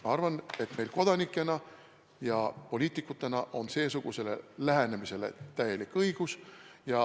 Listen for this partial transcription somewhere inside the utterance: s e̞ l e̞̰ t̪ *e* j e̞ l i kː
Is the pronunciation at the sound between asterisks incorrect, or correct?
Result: incorrect